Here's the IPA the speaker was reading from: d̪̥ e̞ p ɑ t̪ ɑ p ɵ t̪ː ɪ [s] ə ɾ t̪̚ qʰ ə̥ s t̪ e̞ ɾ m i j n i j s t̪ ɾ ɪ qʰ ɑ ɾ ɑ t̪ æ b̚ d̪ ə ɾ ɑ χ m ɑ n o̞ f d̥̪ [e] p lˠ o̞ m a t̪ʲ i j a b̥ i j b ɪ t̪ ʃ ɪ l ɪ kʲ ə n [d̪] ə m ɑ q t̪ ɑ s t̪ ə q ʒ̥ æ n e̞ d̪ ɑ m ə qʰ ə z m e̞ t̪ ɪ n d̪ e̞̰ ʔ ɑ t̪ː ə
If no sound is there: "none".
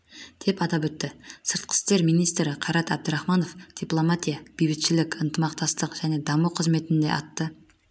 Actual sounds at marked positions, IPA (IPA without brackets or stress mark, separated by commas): s, i, t̪